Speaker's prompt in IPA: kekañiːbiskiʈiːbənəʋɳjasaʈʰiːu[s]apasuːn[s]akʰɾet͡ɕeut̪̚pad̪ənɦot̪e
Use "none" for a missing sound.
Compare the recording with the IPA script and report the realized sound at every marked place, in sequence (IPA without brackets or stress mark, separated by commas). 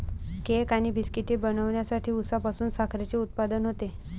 s, s